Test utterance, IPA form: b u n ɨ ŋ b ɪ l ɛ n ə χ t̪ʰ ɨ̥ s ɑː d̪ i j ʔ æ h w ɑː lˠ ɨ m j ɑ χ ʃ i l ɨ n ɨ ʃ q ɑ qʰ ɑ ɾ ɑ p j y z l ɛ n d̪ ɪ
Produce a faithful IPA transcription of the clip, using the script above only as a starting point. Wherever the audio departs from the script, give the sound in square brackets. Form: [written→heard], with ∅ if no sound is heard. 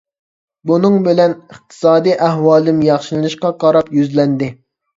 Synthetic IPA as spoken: b u n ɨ ŋ b ɪ l ɛ n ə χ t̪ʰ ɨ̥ s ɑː d̪ i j ʔ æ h w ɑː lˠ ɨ m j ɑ χ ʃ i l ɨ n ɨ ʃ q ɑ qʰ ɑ ɾ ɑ p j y z l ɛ n d̪ ɪ